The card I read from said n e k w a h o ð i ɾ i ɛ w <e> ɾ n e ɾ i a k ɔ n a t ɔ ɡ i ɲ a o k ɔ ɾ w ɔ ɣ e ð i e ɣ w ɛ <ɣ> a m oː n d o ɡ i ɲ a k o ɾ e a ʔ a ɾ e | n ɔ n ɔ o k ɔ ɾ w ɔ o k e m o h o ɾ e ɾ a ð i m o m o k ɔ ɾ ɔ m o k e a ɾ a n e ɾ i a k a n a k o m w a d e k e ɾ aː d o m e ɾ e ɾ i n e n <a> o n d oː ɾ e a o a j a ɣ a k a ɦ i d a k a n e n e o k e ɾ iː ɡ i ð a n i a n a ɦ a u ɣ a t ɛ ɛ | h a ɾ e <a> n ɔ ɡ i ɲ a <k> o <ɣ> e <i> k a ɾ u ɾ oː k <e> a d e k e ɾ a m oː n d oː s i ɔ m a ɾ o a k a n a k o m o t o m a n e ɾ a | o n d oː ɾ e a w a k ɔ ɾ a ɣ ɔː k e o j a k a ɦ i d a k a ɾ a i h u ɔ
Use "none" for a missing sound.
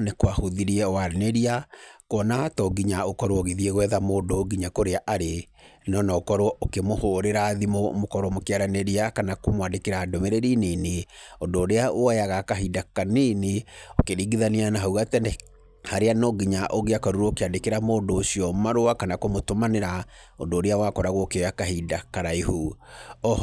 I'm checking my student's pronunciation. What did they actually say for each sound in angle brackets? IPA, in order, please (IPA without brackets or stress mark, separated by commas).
a, ð, e, a, ʔ, ɣ, a, e